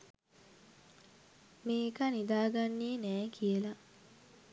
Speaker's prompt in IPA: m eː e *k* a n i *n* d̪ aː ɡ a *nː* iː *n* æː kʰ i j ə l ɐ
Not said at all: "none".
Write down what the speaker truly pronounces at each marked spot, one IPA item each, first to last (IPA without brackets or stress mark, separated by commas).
k, none, nː, n